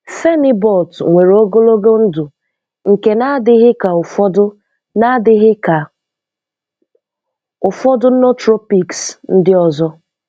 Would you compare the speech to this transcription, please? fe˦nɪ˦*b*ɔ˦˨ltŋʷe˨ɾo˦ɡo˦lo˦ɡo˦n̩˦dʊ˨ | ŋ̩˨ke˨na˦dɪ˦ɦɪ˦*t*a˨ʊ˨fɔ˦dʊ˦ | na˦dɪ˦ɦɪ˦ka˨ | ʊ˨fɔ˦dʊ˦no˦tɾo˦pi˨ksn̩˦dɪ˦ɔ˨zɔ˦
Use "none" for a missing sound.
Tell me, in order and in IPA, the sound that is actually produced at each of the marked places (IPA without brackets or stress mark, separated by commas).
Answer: b, k